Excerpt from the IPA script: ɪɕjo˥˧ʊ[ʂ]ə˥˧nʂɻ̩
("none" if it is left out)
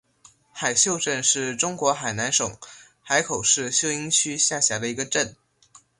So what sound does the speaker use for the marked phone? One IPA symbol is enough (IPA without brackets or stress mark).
ʈ͡ʂ